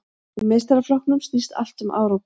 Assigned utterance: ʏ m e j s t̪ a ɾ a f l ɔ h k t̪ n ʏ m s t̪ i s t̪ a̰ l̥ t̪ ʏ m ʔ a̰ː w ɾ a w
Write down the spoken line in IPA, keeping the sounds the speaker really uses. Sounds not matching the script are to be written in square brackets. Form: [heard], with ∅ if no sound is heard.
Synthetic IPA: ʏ m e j s t̪ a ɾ a f l ɔ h k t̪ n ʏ m s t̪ i s t̪ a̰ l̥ t̪ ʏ m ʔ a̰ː w ɾ a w

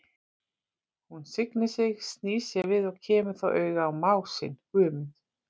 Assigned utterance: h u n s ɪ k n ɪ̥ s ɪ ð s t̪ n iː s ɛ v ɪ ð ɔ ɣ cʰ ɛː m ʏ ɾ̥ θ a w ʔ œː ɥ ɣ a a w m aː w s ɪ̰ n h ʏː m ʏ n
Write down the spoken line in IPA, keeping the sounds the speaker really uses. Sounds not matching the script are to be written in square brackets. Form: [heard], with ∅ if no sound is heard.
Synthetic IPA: h u n s ɪ k n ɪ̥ s ɪ [ɣ] s t̪ n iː s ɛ v ɪ ð ɔ ɣ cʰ ɛː m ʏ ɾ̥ θ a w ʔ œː ɥ ɣ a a w m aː w s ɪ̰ n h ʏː m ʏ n

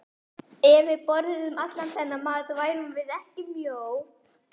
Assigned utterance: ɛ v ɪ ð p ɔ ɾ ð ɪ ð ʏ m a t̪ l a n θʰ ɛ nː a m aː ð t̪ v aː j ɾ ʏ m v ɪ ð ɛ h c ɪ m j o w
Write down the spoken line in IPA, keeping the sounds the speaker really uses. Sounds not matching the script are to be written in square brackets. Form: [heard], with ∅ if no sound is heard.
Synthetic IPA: ɛ v ɪ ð p ɔ ɾ ð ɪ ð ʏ m a t̪ l a n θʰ ɛ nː a m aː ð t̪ v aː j ɾ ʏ m v ɪ ð ɛ h c ɪ m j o w

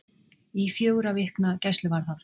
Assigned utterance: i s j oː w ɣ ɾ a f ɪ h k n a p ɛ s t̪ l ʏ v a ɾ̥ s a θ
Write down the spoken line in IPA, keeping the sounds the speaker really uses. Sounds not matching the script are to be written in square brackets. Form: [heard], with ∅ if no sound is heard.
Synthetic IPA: i [f] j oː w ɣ ɾ a [v] ɪ h k n a [c] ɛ s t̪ l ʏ v a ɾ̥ [θ] a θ

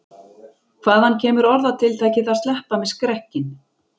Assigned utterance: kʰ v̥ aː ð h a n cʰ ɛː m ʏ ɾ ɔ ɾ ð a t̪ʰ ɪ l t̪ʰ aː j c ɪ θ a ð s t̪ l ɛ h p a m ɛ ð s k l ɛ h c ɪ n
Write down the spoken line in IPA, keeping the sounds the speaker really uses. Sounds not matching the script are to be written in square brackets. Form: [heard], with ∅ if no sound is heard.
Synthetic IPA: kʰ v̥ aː ð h a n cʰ ɛː m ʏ ɾ ɔ ɾ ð a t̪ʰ ɪ l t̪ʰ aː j c ɪ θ a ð s t̪ l ɛ h p a m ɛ ð s k [ɾ] ɛ h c ɪ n

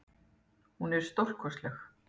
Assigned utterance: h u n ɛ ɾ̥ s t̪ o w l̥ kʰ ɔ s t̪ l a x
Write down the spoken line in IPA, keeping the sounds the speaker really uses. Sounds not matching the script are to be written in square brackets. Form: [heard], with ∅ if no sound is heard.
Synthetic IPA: h u n ɛ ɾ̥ s t̪ o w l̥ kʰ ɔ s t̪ l [ɛ] x

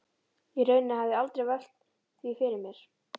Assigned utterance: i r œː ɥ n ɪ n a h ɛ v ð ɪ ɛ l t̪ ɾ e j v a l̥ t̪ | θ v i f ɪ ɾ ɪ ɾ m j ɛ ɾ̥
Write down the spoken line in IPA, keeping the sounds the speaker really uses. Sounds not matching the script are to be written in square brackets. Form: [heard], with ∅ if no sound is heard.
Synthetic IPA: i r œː ɥ n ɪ n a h [a] v ð ɪ [a] l t̪ ɾ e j v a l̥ t̪ | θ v i f ɪ ɾ ɪ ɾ m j ɛ ɾ̥

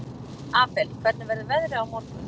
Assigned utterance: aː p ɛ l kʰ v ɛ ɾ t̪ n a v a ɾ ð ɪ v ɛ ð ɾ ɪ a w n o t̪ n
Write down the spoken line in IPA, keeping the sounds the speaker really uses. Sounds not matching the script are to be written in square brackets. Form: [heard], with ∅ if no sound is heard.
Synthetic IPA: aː p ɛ l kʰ v ɛ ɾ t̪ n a v [ɛ] ɾ ð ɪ v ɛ ð ɾ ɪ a w [m] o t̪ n

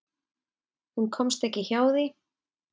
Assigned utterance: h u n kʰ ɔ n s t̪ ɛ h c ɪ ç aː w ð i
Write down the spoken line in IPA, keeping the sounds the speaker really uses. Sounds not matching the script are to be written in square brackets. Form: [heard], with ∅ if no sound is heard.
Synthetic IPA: h u n kʰ ɔ [m] s t̪ ɛ h c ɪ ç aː w ð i

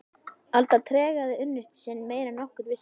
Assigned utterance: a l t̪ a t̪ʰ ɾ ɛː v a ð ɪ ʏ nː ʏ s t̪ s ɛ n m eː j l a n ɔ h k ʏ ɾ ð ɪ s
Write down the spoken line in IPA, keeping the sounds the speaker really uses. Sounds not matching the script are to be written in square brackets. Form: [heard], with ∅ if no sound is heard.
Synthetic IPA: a l t̪ a t̪ʰ ɾ ɛː [ɣ] a ð ɪ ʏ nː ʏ s t̪ s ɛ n m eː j [ɾ] a n ɔ h k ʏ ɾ [v] ɪ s

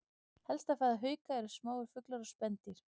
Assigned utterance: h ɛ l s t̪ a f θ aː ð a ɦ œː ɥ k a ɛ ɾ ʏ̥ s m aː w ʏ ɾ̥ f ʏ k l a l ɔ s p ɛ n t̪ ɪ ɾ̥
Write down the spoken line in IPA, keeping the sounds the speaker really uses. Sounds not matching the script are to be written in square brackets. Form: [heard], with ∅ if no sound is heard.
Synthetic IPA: h ɛ l s t̪ a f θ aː ð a ɦ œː ɥ k a ɛ ɾ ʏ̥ s m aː w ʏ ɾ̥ f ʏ k l a [ɾ] ɔ s p ɛ n t̪ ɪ ɾ̥

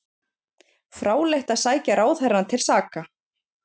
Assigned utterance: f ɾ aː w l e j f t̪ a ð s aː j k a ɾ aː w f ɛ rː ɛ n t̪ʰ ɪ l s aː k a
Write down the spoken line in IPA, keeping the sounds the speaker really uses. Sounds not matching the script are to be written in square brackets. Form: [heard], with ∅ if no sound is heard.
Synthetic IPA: f ɾ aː w l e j [h] t̪ a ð s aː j [c] a ɾ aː w [θ] ɛ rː [a] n t̪ʰ ɪ l s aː k a

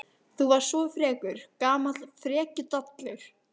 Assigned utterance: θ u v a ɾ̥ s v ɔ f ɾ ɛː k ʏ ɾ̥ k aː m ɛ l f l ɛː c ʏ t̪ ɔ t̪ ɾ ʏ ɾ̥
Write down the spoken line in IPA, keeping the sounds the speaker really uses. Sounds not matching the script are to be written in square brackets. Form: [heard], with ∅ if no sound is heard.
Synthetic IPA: θ u v a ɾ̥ s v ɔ f ɾ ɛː k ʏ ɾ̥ k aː m [a] l f [ɾ] ɛː c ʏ t̪ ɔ t̪ [l] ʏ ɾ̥

